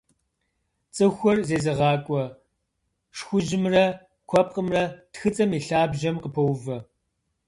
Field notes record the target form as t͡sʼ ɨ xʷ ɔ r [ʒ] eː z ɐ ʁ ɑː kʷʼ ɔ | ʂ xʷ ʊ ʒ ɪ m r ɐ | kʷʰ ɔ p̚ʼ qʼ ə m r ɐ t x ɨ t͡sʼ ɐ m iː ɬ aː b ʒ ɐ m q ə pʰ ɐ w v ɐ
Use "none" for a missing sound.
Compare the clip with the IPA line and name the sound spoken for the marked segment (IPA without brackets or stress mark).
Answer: z